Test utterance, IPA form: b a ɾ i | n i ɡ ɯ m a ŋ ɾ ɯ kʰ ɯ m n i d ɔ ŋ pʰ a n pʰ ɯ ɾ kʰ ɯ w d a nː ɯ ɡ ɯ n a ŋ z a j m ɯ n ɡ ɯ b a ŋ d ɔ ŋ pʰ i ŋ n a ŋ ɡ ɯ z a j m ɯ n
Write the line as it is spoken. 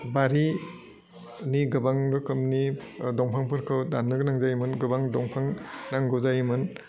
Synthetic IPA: b a ɾ i | n i ɡ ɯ b a ŋ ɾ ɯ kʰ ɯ m n i d ɔ ŋ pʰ a ŋ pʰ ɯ ɾ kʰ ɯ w d a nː ɯ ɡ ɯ n a ŋ z a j m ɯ n ɡ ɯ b a ŋ d ɔ ŋ pʰ a ŋ n a ŋ ɡ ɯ z a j m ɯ n